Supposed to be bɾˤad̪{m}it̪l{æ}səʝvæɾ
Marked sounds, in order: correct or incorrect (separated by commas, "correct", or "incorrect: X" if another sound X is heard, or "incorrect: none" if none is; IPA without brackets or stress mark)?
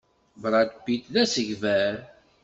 incorrect: b, correct